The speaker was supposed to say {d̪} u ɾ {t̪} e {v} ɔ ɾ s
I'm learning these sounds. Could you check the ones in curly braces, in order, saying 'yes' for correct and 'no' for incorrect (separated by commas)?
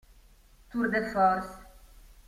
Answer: no, no, no